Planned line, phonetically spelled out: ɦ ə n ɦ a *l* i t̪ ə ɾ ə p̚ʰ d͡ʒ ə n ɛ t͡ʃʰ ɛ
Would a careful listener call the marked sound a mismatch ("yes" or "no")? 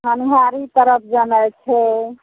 yes